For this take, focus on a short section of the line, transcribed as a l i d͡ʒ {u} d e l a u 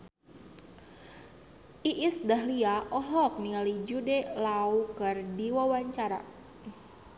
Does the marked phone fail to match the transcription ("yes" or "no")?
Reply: no